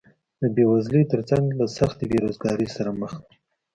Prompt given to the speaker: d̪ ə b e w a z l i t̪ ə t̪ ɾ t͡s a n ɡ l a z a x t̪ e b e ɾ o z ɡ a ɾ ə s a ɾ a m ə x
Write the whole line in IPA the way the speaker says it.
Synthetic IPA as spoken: d̪ ə b e w a z l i t̪ ə ɾ t͡s a ŋ ɡ l a s a x t̪ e b e ɾ o z ɡ ɑ ɾ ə s a ɾ a m ə x